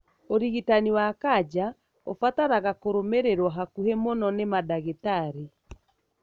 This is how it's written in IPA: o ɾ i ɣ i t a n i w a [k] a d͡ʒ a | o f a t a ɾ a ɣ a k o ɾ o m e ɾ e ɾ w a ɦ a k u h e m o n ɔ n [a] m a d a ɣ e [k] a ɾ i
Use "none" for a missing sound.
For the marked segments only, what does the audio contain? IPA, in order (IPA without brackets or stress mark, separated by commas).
k, e, t